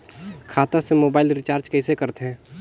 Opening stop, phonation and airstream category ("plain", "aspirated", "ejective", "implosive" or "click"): aspirated